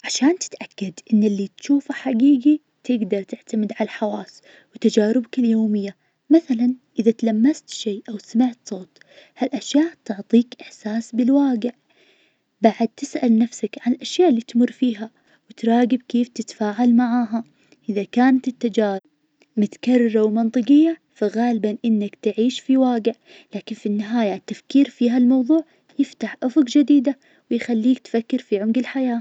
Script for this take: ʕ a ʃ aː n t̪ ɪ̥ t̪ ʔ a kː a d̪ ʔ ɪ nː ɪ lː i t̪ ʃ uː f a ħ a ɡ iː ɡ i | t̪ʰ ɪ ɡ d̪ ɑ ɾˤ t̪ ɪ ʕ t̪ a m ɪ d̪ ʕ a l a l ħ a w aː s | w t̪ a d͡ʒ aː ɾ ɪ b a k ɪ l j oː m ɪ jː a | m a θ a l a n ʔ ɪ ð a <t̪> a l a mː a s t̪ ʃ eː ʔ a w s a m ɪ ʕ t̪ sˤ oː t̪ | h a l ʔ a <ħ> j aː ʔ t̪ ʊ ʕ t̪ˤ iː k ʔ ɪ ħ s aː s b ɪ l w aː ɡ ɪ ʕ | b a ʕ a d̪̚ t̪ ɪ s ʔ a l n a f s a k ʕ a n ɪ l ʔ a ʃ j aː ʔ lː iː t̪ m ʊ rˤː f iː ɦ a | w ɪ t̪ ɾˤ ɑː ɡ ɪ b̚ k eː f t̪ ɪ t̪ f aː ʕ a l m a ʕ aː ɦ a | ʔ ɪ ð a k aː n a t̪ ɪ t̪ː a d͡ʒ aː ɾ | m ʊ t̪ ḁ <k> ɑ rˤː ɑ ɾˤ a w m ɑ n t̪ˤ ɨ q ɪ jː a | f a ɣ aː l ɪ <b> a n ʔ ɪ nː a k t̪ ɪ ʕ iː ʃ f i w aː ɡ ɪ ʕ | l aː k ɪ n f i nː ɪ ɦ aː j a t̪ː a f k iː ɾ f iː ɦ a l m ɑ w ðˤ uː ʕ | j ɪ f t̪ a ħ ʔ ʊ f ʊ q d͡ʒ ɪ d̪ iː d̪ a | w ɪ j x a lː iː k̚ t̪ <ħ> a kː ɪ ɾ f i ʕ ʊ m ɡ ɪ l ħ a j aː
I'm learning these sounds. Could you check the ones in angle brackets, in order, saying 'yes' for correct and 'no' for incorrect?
yes, no, yes, yes, no

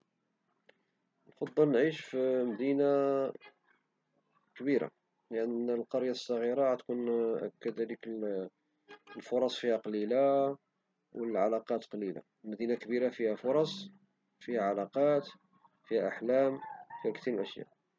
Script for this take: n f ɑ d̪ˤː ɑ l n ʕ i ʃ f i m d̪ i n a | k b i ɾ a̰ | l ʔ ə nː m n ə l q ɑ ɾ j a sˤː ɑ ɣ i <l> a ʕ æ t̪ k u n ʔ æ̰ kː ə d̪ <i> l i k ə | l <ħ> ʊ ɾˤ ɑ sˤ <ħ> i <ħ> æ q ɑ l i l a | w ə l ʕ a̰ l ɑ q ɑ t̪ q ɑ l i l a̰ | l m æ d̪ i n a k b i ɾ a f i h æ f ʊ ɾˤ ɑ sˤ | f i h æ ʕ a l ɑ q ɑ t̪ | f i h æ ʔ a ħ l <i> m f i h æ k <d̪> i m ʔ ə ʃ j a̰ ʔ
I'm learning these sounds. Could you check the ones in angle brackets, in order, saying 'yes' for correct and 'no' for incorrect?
no, no, no, no, no, no, no

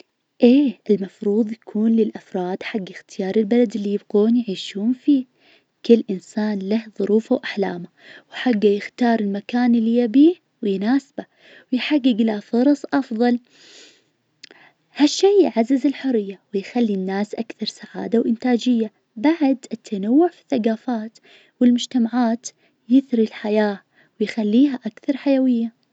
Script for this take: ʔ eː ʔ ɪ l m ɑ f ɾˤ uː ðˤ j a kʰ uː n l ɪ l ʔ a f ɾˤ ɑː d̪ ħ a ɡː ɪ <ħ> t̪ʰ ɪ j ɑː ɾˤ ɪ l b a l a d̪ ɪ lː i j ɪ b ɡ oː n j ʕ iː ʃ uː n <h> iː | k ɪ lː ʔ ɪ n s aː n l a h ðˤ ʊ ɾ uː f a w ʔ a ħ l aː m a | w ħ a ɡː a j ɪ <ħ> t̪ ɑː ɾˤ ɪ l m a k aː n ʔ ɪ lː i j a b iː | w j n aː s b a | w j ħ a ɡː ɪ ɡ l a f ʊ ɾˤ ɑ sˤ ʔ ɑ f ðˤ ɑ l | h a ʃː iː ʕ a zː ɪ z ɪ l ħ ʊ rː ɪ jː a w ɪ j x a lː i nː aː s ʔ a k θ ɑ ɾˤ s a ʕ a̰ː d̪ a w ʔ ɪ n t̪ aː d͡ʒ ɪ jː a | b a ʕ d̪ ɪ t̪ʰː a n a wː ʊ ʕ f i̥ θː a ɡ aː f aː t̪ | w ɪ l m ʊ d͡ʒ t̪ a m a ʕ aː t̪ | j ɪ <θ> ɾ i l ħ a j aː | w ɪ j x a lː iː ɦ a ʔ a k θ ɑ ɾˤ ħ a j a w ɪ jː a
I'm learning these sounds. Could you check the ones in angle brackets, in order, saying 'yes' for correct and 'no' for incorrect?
no, no, no, yes

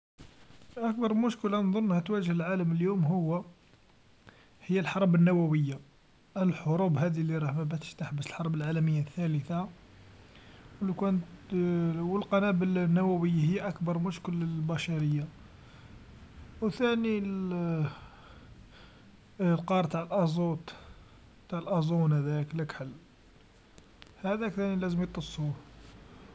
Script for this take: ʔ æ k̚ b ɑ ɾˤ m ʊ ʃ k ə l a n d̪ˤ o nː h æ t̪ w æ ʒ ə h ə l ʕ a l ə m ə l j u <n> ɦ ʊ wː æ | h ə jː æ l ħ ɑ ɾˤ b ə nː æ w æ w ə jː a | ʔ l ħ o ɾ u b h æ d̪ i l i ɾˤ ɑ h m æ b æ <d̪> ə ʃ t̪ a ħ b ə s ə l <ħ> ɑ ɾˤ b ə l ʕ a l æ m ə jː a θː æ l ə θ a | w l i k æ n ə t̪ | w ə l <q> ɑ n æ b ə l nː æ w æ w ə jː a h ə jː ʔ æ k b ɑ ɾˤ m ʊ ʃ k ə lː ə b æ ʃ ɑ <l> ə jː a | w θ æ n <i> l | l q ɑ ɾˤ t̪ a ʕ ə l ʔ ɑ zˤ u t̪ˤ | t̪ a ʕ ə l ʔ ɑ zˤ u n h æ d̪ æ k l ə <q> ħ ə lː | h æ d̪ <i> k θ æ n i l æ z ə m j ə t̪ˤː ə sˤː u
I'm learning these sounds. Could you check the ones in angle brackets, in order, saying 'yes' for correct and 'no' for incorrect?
no, no, yes, yes, no, yes, no, no

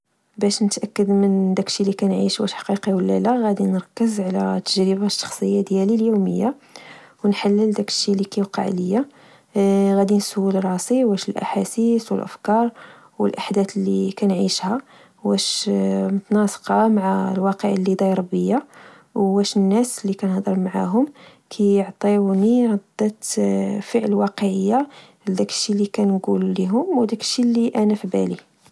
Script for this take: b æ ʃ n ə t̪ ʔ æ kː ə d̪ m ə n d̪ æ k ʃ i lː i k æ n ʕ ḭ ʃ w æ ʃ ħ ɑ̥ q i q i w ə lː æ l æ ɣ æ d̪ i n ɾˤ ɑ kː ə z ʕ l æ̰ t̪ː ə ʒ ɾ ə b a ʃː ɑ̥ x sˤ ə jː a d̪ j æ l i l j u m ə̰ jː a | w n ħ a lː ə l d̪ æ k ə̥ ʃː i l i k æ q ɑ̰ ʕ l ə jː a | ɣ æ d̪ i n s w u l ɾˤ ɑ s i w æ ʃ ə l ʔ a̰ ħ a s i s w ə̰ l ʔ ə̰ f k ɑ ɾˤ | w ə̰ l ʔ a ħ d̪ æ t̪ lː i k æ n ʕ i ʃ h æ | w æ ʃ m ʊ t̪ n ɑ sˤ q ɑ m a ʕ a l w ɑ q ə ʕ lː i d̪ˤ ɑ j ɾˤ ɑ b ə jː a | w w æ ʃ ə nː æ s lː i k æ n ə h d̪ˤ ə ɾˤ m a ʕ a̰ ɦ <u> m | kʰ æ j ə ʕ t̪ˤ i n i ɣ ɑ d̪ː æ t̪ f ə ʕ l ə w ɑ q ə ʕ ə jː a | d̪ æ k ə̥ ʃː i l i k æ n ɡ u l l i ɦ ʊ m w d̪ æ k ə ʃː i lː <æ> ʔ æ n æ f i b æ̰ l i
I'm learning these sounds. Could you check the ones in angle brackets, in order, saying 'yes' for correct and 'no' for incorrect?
no, no

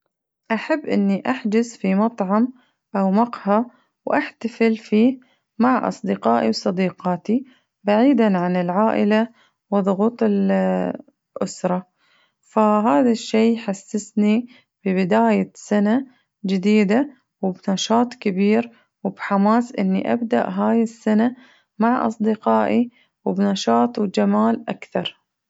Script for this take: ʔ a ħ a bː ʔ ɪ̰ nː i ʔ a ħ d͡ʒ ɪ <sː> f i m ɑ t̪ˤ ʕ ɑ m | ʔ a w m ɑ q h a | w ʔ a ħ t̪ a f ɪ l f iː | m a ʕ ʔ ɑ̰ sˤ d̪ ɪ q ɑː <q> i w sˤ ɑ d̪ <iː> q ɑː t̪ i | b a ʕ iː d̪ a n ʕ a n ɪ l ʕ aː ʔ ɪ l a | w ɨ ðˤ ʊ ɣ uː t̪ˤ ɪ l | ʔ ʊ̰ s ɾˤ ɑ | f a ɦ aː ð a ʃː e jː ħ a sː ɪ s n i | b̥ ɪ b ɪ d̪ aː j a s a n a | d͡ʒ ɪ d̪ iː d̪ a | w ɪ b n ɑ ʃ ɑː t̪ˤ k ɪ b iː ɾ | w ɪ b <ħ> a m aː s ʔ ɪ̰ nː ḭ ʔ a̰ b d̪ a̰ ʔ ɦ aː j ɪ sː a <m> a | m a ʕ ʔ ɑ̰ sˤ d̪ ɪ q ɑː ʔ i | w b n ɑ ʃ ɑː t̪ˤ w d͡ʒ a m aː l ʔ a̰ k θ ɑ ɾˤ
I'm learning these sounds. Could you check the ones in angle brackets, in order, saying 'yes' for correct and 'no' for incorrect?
no, no, yes, yes, no

